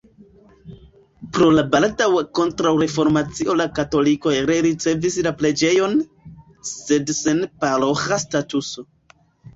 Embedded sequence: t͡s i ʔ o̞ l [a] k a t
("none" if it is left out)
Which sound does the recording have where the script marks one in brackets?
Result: a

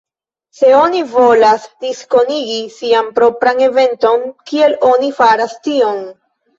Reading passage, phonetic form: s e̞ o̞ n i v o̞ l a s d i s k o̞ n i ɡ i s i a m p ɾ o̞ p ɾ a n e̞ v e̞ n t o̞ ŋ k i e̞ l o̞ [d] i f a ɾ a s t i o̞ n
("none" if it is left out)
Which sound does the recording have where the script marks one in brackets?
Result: n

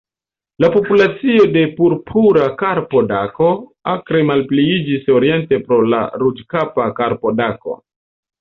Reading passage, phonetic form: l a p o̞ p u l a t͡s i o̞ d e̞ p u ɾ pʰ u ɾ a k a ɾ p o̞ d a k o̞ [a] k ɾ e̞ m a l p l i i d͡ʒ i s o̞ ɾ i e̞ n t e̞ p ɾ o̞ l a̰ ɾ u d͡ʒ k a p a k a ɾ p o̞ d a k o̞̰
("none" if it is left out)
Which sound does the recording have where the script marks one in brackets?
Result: a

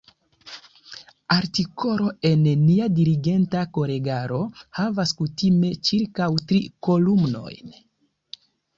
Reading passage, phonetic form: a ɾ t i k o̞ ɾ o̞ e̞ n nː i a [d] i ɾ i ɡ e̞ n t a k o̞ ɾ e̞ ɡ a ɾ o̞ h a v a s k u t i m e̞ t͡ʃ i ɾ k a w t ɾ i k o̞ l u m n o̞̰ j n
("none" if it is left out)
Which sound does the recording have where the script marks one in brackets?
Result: d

